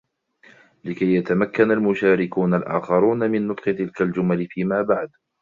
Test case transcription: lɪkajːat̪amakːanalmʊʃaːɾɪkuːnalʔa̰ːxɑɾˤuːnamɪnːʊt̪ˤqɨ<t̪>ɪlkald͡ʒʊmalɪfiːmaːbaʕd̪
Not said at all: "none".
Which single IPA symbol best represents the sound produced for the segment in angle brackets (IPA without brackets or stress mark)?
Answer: t̪